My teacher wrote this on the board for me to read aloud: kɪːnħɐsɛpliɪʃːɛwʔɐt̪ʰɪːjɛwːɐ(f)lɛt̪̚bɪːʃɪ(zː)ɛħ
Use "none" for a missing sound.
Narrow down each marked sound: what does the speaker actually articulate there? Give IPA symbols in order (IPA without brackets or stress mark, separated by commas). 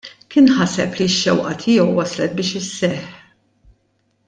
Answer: s, sː